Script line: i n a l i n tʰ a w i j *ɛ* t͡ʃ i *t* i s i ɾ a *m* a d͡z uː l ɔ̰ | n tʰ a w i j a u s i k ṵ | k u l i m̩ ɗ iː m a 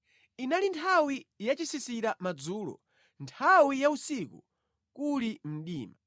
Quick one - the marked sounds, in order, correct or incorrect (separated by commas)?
incorrect, incorrect, correct